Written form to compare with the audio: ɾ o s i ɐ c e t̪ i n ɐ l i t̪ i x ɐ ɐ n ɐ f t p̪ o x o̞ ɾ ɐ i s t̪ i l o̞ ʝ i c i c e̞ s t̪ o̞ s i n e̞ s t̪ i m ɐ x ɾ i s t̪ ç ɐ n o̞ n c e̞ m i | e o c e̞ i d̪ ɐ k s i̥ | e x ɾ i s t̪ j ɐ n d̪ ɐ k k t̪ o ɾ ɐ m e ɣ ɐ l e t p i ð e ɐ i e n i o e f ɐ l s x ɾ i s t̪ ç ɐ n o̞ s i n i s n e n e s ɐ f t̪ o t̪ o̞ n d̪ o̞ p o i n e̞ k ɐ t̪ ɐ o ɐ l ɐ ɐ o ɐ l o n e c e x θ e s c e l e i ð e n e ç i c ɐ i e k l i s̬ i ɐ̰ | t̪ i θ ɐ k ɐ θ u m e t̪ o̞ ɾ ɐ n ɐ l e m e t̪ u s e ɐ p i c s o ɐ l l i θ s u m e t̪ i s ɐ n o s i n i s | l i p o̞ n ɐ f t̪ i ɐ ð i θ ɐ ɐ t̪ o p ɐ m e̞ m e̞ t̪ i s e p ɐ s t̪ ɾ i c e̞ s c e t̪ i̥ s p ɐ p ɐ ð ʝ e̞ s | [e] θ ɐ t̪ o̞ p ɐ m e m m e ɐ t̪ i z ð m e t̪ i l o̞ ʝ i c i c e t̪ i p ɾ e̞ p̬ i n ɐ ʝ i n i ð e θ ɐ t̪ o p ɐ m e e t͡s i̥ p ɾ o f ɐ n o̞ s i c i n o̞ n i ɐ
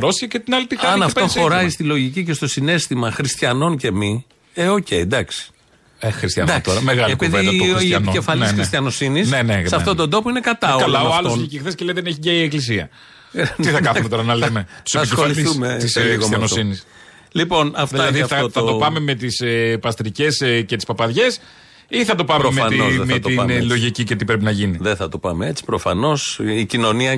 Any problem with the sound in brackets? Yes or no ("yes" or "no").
yes